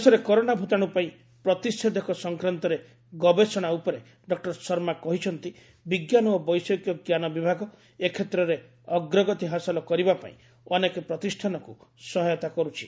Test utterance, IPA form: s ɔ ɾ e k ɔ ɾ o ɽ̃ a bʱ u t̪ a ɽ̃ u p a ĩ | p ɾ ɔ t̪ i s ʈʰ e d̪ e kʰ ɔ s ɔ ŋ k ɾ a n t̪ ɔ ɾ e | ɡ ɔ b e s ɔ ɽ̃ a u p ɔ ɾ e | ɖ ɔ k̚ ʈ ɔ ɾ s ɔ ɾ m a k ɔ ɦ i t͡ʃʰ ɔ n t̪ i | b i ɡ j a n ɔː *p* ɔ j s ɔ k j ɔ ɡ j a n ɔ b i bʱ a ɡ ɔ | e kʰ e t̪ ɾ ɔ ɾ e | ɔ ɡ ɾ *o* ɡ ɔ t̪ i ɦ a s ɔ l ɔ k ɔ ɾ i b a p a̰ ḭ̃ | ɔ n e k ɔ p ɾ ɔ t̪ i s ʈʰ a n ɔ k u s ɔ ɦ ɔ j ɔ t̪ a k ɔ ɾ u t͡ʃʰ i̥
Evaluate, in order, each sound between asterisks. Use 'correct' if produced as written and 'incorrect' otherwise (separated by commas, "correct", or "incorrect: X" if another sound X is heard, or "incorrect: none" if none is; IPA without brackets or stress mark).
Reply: incorrect: b, incorrect: ɔ